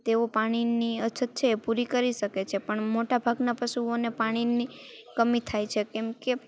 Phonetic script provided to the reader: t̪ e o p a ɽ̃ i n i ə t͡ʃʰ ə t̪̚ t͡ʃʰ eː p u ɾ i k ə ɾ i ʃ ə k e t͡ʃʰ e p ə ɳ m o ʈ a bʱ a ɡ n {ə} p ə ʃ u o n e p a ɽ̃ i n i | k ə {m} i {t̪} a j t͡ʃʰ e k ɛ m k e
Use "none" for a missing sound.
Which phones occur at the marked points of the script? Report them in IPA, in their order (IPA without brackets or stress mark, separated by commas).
a, m, t̪ʰ